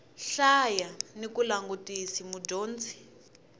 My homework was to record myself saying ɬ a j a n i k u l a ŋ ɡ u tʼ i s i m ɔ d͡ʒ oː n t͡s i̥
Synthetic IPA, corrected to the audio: ɬ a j a n i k u l a ŋ ɡ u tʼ i s i m u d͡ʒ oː n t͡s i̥

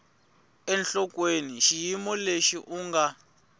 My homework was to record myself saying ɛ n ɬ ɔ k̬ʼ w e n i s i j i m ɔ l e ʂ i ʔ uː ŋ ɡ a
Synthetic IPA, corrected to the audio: ɛ n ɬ ɔ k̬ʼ w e n i ʃ i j i m ɔ l e ʃ i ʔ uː ŋ ɡ a

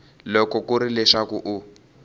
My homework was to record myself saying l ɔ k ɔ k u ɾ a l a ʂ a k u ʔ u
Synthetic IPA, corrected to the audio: l ɔ k ɔ k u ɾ i l ɛ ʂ a k u ʔ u

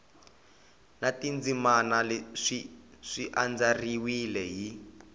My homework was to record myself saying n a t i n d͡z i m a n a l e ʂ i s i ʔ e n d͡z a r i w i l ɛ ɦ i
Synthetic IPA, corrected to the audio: n a t i n d͡z i m a n a l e ʂ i ʂ i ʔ a n d͡z a r i w i l ɛ ɦ i

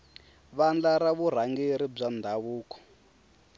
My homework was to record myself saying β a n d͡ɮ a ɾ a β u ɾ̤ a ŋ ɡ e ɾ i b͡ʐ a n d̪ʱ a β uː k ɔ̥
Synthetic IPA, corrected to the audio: β a n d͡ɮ a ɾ a β u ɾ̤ a ŋ ɡ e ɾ i b͡ʐ a n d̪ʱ a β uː k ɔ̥

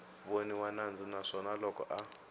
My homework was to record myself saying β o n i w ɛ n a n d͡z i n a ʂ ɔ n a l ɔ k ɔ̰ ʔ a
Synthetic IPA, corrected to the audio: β o n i w a n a n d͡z i n a ʂ ɔ n a l ɔ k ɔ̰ ʔ a

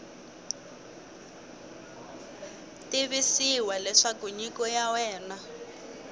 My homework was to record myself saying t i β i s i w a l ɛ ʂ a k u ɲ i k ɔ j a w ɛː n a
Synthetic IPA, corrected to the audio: t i β i s i w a l ɛ ʂ a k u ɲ i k ɔ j a w ɛː n a

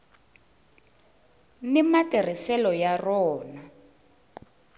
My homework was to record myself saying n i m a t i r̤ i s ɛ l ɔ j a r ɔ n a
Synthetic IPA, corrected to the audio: n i m a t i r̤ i s ɛ l ɔ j a r ɔː n a

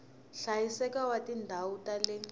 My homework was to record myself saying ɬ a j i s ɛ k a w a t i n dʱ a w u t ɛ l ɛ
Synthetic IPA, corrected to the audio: ɬ a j i s ɛ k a w a t i n dʱ a w u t a l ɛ

